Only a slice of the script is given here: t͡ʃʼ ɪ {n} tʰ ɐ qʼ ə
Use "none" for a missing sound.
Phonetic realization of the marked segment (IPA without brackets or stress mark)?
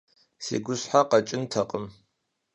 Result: n